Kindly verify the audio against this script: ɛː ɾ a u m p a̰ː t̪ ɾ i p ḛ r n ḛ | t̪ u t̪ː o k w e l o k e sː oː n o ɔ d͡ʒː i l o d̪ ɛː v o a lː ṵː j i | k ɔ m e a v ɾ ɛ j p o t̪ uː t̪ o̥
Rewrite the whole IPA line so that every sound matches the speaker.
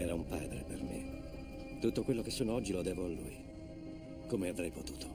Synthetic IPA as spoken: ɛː ɾ a u m p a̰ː d̪ ɾ e p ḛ r m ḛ | t̪ u t̪ː o k w e lː o k e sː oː n o ɔ d͡ʒː i l o d̪ ɛː v o a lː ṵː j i | k o m e a v ɾ ɛ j p o t̪ uː t̪ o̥